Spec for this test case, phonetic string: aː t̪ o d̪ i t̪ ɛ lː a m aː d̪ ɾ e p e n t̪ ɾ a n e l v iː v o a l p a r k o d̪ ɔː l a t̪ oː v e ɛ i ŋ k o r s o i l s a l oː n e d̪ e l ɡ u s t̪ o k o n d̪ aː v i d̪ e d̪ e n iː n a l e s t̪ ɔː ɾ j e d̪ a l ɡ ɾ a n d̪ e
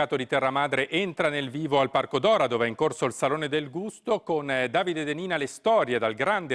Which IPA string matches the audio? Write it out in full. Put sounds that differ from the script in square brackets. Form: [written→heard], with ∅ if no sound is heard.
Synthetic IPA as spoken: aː t̪ o d̪ i t̪ ɛ [lː→rː] a m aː d̪ ɾ e [p→ʔ] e n t̪ ɾ a n e l v iː v o a l p a r k o d̪ ɔː [l→ɾ] a [t̪→d̪] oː v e ɛ i ŋ k o r s o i l s a l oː n e d̪ e l ɡ u s t̪ o k o n d̪ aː v i d̪ e d̪ e n iː n a l e s t̪ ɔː ɾ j e d̪ a l ɡ ɾ a n d̪ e